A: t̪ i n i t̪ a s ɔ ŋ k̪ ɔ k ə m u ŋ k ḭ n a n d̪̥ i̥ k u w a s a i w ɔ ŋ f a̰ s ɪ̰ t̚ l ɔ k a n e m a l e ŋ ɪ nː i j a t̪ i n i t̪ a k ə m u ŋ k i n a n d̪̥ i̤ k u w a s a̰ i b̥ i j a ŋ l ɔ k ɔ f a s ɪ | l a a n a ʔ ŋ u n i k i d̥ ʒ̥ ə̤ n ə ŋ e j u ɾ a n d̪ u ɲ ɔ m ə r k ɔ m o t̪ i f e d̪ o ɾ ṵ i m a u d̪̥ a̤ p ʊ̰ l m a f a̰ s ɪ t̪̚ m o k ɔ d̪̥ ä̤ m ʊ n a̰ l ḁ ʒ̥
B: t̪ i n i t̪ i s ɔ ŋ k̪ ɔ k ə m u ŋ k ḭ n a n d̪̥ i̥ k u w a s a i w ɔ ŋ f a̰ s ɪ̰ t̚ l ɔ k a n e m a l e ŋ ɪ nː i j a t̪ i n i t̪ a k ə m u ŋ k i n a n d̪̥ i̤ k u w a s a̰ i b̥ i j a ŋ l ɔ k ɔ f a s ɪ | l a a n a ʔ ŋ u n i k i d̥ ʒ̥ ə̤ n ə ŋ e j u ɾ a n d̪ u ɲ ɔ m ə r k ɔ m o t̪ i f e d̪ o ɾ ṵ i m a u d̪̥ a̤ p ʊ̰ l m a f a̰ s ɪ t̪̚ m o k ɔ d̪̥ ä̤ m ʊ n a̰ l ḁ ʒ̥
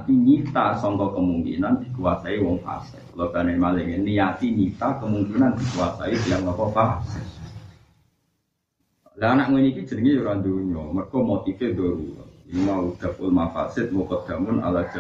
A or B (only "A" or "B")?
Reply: A